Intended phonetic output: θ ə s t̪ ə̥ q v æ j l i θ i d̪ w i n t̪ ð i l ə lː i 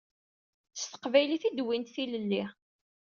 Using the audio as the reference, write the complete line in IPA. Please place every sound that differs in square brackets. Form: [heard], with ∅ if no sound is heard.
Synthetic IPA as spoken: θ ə s t̪ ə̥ q v æ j l i θ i d̪ w i n t̪ [θ] i l ə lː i